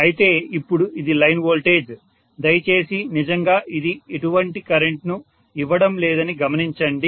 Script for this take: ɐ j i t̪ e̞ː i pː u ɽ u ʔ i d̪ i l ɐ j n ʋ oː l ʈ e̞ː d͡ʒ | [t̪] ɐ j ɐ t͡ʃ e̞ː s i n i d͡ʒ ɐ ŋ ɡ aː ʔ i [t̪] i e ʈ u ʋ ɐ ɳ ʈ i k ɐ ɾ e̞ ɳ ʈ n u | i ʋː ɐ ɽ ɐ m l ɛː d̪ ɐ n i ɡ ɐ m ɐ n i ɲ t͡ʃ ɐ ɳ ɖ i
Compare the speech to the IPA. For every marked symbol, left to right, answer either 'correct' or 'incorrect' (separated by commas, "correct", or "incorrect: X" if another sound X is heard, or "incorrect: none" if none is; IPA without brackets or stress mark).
incorrect: d̪, incorrect: d̪